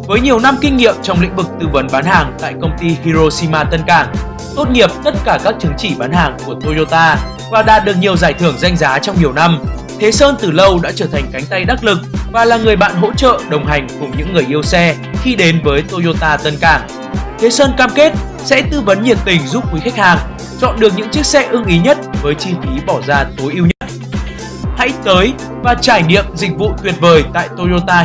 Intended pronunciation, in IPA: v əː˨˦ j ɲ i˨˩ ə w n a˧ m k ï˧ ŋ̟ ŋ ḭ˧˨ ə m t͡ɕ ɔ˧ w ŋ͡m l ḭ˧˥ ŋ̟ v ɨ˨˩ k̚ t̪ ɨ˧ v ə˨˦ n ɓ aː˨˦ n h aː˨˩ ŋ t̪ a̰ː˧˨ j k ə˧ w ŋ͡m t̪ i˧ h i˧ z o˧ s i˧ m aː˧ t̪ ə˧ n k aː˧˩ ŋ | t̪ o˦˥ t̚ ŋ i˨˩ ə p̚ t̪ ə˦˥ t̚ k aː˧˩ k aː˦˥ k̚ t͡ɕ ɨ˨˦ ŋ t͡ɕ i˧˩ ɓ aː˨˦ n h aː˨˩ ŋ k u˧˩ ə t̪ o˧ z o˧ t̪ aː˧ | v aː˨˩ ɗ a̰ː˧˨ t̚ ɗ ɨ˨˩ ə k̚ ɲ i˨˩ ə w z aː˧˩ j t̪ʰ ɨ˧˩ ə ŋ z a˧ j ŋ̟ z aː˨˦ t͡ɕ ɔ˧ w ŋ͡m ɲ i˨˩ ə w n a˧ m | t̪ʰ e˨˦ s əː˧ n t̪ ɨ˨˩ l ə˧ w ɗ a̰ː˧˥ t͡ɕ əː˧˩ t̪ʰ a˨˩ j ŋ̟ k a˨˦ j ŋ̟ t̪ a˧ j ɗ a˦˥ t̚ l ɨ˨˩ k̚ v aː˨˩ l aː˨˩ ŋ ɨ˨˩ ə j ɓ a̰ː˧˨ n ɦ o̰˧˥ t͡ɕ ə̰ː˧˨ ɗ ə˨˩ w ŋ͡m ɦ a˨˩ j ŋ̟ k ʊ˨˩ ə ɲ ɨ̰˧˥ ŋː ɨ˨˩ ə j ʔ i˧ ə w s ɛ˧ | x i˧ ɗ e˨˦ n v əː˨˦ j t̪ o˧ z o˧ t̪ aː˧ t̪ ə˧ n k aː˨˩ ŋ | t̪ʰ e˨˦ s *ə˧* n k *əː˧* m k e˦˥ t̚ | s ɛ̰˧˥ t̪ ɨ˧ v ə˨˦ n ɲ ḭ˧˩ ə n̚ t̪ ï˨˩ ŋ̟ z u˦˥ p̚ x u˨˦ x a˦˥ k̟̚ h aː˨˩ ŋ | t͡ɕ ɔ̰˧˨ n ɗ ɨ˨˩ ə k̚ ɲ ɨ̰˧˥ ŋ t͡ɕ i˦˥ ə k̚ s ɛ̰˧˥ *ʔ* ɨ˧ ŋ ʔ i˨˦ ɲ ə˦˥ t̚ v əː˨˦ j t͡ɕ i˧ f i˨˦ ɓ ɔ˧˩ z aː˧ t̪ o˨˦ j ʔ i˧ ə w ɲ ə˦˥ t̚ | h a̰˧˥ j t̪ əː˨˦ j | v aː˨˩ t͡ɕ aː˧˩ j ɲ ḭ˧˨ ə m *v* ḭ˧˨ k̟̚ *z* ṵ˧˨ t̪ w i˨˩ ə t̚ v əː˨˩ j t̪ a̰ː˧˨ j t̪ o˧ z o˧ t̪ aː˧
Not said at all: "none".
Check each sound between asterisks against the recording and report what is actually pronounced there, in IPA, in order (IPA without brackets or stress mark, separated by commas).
əː˧, aː˧, ʔ, z, v